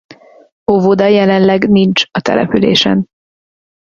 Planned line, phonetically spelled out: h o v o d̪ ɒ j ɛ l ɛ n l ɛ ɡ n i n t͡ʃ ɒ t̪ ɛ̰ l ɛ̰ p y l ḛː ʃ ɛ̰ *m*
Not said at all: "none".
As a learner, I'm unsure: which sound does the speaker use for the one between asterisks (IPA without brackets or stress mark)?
n